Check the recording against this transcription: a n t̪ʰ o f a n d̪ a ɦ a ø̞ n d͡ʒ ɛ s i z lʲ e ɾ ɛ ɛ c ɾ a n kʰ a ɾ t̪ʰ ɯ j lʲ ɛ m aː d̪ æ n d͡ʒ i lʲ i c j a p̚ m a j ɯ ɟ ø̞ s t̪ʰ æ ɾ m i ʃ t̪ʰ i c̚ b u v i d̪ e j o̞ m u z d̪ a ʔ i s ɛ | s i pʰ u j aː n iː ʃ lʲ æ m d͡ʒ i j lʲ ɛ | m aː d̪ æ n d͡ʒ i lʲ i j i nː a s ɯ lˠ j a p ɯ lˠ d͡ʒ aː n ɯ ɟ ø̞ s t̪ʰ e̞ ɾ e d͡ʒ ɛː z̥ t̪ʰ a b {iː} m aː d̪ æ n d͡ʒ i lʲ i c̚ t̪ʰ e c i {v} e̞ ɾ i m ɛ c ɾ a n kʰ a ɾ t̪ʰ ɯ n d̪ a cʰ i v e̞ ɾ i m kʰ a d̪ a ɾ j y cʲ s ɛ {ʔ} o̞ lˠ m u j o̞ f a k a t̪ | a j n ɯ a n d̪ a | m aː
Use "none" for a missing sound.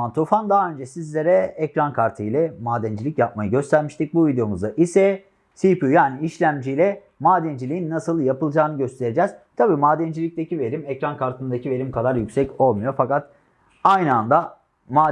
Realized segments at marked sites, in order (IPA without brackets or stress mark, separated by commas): iː, v, c